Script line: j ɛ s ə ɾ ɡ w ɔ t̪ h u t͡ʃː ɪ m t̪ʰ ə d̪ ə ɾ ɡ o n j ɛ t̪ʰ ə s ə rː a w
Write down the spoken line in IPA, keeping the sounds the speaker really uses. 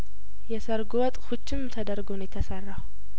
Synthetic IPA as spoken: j ɛ s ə ɾ ɡ w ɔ t̪ʼ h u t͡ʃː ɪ m t̪ʰ ə d̪ ə ɾ ɡ o n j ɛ t̪ʰ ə s ə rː a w